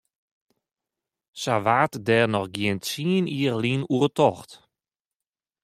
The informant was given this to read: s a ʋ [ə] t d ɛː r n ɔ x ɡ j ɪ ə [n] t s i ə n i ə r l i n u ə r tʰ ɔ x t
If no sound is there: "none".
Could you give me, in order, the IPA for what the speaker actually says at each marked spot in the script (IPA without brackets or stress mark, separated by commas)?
a, n